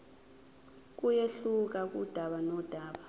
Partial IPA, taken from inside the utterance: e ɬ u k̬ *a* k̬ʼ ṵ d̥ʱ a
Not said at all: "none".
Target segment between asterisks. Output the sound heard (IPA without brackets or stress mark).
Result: a